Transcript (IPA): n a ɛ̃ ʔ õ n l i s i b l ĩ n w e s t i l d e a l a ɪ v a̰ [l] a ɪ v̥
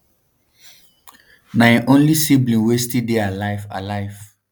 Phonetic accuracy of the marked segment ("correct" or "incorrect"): correct